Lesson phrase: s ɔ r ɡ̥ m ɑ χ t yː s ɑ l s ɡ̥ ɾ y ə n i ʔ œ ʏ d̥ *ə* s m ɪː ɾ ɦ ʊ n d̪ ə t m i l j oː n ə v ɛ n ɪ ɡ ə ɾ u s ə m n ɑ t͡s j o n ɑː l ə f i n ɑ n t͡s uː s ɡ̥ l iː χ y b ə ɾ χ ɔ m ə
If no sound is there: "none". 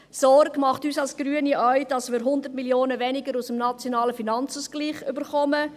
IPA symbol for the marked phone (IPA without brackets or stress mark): ɑ